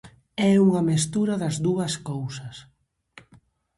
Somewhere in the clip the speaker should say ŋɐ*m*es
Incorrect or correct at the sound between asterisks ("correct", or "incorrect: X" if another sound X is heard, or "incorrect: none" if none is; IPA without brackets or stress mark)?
correct